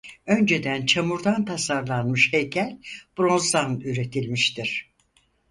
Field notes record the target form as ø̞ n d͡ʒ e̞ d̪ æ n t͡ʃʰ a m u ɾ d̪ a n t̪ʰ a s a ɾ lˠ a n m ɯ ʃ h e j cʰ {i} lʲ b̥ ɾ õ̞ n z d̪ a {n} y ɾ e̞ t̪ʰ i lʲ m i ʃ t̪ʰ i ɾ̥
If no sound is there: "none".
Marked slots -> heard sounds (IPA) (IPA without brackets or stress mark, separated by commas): æ, n